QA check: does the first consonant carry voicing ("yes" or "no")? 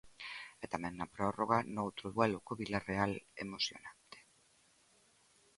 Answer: no